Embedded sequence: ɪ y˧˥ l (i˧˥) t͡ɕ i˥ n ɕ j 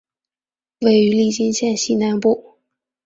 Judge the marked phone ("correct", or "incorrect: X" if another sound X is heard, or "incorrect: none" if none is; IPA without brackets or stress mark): incorrect: i˥˩